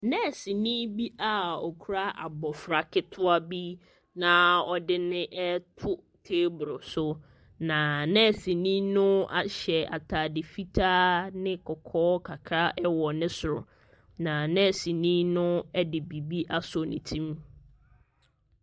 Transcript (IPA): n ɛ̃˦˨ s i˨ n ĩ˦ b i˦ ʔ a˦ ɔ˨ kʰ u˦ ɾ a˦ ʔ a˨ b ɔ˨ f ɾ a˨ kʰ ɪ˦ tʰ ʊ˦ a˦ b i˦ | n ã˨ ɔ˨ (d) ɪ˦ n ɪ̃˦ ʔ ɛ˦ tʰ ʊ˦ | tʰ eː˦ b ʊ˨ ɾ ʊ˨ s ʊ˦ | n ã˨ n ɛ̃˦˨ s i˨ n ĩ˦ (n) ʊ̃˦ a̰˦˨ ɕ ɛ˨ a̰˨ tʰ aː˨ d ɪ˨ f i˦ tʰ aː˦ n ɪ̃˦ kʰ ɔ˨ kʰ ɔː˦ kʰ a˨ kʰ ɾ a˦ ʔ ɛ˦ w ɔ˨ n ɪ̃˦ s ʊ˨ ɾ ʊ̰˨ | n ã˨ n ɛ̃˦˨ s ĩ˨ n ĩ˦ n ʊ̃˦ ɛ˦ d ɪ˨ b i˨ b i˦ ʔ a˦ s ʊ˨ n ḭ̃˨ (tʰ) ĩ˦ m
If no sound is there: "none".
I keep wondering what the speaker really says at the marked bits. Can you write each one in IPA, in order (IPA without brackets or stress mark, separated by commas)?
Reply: d, n, tʰ